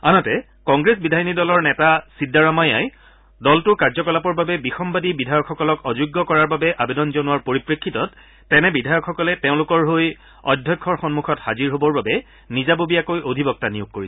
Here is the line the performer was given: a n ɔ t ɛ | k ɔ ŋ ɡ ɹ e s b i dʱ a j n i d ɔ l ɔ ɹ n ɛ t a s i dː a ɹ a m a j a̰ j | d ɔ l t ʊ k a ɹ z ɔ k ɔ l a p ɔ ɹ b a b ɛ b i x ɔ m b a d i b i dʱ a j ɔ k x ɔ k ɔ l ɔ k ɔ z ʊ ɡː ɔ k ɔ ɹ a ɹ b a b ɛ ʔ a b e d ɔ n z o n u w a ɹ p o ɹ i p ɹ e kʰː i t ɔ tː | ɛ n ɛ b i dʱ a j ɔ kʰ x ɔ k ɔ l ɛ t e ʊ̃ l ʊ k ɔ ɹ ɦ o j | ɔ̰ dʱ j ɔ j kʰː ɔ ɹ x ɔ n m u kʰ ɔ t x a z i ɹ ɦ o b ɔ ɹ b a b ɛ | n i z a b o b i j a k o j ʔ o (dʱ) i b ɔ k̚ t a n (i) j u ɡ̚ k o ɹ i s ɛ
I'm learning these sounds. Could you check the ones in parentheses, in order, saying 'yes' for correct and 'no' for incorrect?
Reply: yes, yes

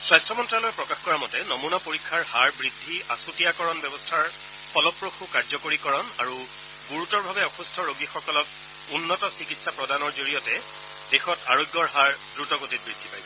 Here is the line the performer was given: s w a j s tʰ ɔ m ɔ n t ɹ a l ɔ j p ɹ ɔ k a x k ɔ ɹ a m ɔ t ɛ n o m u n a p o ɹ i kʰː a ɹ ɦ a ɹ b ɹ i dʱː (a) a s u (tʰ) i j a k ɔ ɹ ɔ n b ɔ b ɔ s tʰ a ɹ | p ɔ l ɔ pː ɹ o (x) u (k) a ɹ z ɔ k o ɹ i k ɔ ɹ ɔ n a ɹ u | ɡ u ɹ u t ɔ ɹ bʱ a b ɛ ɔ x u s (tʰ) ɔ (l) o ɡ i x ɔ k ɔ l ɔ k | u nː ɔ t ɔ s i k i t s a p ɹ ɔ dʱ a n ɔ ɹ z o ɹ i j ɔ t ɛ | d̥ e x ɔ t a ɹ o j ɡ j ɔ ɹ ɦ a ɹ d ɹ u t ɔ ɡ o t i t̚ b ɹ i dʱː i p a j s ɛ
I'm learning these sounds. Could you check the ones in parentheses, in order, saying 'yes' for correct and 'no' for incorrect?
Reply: no, no, yes, yes, yes, no

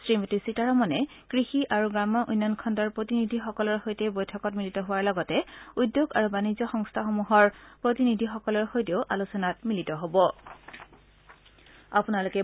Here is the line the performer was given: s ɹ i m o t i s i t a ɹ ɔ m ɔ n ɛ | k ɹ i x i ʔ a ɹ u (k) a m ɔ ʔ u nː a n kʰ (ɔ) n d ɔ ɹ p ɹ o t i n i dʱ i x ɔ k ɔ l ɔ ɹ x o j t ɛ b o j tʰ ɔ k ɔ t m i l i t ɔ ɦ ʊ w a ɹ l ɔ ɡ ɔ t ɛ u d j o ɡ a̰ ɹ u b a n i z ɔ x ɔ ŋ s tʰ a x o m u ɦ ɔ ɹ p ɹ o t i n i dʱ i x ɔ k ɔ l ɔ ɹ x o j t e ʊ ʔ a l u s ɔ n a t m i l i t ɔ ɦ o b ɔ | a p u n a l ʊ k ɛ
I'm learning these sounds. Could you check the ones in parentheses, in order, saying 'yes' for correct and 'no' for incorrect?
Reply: no, yes

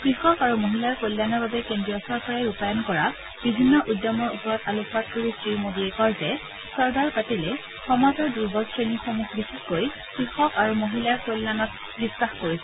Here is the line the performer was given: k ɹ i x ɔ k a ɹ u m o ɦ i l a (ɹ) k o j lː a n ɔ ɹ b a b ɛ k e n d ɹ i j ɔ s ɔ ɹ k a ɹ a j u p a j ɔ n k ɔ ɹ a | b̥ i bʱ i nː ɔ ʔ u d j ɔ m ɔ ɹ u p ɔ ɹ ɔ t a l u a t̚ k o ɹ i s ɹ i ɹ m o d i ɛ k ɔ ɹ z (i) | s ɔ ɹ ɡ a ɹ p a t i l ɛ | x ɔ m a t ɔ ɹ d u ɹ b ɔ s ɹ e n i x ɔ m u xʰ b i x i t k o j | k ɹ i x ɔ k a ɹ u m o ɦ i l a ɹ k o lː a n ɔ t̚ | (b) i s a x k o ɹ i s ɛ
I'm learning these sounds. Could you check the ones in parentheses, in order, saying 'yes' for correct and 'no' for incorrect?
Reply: yes, no, yes

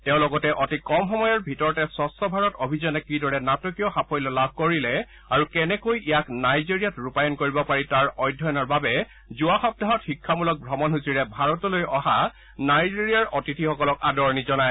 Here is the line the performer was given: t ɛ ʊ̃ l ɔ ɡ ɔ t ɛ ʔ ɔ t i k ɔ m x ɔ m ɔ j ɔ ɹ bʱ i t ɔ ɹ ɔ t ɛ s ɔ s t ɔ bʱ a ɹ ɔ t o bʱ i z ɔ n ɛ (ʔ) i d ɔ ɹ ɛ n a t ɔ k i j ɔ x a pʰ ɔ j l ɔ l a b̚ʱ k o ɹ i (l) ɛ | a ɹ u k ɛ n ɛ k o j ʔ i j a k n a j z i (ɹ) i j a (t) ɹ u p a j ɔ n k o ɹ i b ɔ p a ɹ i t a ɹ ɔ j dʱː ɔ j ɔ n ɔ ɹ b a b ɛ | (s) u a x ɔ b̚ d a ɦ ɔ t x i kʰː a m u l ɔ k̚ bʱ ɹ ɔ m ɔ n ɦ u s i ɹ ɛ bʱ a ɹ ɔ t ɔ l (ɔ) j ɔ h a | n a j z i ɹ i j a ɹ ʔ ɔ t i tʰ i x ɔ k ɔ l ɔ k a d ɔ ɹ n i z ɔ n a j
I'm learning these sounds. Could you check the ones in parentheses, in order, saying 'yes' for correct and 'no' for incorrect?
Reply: no, yes, yes, yes, no, no

